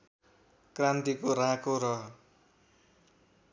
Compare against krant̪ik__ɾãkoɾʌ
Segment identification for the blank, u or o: o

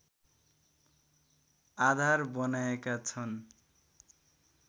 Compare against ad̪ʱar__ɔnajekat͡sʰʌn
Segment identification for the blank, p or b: b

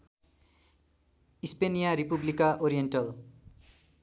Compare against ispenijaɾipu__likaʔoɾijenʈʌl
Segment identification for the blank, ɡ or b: b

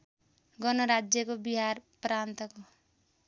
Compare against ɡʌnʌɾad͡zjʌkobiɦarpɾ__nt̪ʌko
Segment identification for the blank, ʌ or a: a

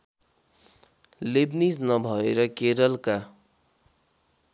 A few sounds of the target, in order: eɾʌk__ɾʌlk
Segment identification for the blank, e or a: e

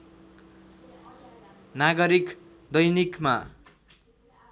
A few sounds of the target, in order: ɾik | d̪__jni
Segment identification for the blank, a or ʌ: ʌ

